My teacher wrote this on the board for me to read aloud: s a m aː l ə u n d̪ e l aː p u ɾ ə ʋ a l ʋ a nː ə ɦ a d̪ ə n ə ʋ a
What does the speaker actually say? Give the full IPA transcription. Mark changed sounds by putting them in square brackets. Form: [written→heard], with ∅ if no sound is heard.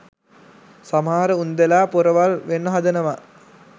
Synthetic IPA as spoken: s a m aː [l→ɾ] ə u n d̪ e l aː p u ɾ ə ʋ a l ʋ [a→e] nː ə ɦ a d̪ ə n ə ʋ a